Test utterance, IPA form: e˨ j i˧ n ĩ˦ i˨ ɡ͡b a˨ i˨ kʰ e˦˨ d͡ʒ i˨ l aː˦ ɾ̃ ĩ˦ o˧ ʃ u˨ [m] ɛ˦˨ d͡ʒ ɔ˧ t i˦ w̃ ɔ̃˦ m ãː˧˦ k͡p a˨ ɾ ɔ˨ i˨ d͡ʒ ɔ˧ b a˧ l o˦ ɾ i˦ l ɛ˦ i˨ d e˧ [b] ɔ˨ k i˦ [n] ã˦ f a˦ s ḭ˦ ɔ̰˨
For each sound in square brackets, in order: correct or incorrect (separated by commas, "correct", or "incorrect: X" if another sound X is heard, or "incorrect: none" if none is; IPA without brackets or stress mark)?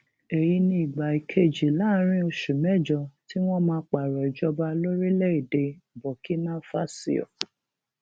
correct, correct, correct